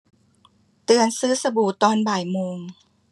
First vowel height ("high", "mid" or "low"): high